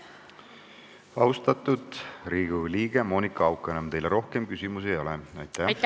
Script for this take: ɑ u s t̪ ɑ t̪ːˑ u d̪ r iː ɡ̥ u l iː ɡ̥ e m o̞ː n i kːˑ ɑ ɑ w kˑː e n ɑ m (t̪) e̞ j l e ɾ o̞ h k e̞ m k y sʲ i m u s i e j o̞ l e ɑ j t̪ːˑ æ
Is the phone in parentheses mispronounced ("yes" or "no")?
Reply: no